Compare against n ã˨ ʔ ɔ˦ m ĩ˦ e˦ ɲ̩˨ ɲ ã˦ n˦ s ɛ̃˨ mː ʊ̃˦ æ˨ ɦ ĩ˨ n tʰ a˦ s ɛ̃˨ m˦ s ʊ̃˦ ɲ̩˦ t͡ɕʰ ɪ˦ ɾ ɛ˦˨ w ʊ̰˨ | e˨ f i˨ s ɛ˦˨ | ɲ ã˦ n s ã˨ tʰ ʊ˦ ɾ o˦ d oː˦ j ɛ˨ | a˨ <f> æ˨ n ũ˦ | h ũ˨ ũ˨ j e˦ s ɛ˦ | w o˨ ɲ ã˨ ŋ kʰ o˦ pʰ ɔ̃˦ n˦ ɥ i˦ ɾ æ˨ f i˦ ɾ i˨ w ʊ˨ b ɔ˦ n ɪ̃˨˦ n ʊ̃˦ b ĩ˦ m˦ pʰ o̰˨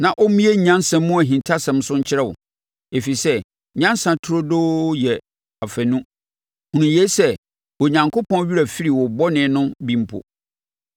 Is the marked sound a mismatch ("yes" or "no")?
no